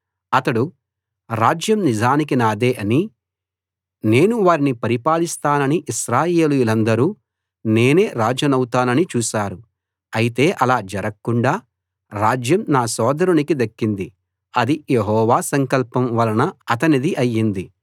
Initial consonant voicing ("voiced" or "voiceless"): voiceless